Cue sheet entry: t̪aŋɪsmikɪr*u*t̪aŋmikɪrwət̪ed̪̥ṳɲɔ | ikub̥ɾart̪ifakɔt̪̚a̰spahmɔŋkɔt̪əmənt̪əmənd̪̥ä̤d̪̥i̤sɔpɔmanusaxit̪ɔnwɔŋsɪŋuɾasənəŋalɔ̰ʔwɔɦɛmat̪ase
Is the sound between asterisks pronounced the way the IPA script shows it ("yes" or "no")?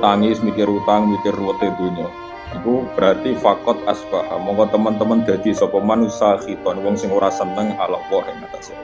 yes